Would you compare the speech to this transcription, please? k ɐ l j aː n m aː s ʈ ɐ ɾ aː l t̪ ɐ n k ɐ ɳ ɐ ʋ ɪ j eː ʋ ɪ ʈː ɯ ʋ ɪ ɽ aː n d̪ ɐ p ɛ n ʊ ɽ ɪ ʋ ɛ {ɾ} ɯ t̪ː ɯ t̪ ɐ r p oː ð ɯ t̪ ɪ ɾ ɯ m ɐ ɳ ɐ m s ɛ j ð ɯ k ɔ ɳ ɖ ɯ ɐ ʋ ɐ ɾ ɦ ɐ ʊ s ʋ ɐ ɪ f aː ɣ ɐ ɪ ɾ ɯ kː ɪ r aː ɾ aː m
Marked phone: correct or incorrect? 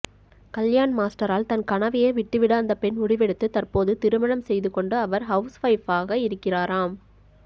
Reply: incorrect